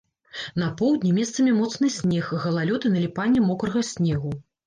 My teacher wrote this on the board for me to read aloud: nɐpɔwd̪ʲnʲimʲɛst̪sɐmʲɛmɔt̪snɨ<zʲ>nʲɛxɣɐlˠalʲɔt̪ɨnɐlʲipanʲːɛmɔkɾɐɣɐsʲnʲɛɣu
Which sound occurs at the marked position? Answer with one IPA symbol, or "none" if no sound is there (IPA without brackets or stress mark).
sʲ